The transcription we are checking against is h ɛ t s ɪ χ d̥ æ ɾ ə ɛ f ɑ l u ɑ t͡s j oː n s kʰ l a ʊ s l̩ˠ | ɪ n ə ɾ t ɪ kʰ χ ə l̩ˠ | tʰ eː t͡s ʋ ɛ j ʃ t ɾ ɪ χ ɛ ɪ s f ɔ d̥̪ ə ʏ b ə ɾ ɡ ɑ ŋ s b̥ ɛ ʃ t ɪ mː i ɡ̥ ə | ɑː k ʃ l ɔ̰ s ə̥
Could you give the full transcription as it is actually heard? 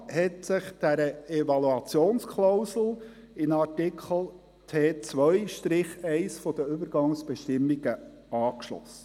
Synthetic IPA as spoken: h ɛ t s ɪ χ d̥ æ ɾ ə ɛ v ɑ l u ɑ t͡s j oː n s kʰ l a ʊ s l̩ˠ | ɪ n ɑ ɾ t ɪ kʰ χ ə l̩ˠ | tʰ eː t͡s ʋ œ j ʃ t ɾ ɪ χ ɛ ɪ s f ɔ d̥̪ ə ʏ b ə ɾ ɡ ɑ ŋ s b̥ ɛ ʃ t ɪ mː i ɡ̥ ə | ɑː k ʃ l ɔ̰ s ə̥